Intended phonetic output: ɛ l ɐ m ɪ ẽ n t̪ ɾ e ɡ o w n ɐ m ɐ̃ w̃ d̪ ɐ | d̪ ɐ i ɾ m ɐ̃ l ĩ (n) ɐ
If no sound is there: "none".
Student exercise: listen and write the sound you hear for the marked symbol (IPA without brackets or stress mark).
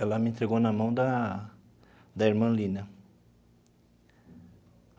n